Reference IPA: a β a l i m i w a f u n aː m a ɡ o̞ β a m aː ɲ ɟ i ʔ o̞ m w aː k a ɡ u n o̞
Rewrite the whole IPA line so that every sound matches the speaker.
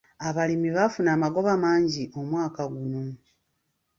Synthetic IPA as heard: a β a l i m i β a f u n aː m a ɡ o̞ β a m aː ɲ ɟ i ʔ o̞ m w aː k a ɡ u n o̞